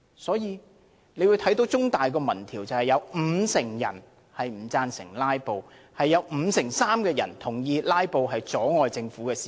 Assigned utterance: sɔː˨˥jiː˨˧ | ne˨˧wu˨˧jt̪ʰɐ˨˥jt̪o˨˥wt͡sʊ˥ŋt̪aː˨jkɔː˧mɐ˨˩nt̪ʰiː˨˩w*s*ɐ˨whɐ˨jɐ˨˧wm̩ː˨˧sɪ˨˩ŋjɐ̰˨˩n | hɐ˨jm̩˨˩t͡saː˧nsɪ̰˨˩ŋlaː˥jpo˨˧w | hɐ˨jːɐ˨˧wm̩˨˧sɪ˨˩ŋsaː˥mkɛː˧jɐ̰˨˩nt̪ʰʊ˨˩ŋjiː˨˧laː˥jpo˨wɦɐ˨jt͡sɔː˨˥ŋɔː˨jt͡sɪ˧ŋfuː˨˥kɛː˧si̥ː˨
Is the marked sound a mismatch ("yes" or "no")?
yes